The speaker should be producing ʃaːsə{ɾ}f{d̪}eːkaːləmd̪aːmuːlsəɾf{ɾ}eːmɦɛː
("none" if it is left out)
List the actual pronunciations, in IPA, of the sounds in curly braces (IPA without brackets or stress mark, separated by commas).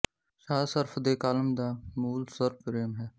ɾ, d̪, ɾ